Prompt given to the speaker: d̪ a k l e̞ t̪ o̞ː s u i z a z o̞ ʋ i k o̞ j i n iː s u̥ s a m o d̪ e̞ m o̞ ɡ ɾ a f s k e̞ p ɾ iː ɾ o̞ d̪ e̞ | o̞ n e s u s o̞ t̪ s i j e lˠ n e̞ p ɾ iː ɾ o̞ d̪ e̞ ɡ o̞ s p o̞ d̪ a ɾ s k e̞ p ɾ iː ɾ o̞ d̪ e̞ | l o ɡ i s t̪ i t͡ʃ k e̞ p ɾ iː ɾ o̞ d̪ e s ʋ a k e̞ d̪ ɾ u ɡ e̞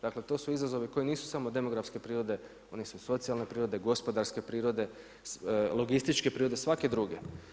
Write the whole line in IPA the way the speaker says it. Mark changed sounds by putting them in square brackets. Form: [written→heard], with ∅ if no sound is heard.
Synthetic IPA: d̪ a k l e̞ t̪ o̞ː s u i z a z o̞ ʋ i k o̞ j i n iː s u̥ s a m o d̪ e̞ m o̞ ɡ ɾ a f s k e̞ p ɾ iː ɾ o̞ d̪ e̞ | o̞ n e s u s o̞ t̪ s i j [e→a] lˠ n e̞ p ɾ iː ɾ o̞ d̪ e̞ ɡ o̞ s p o̞ d̪ a ɾ s k e̞ p ɾ iː ɾ o̞ d̪ e̞ | l o ɡ i s t̪ i t͡ʃ k e̞ p ɾ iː ɾ o̞ d̪ e s ʋ a k e̞ d̪ ɾ u ɡ e̞